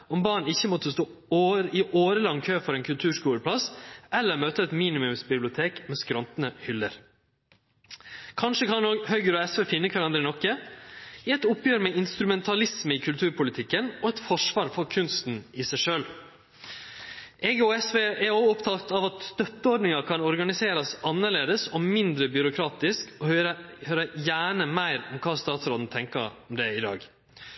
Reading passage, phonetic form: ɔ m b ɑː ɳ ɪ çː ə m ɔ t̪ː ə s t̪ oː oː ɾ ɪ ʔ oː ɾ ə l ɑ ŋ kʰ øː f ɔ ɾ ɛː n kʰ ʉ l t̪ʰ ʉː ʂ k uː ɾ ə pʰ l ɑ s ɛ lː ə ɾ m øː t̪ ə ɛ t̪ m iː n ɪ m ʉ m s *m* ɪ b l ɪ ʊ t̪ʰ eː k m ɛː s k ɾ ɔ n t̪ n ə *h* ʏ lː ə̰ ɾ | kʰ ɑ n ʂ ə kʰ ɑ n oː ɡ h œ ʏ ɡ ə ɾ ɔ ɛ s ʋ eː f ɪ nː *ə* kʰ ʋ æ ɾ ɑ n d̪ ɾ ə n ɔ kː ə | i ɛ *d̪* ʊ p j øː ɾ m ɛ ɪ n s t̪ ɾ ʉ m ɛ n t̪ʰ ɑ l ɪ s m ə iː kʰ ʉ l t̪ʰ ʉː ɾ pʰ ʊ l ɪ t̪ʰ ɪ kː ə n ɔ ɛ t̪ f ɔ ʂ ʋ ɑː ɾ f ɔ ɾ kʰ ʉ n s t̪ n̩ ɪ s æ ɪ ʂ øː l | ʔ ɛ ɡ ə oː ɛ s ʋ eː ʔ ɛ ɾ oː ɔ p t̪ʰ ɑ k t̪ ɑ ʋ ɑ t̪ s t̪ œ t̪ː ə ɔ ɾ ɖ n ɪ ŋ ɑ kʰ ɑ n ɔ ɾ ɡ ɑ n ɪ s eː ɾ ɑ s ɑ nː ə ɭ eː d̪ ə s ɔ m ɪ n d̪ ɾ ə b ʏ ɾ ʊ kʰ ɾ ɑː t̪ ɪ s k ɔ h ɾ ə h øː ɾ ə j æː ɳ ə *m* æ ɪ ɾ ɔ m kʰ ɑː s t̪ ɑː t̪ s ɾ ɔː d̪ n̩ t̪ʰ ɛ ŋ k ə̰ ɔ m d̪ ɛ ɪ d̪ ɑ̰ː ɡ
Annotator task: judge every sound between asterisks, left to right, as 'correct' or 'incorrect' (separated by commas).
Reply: incorrect, correct, correct, incorrect, correct